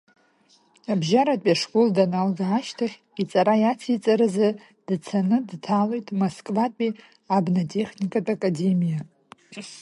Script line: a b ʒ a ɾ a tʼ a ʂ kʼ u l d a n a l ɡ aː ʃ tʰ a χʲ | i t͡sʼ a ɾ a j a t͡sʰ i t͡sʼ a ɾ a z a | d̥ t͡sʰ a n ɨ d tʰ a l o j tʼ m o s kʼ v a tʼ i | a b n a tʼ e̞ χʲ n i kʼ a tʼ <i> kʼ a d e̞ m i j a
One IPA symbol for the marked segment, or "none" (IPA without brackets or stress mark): a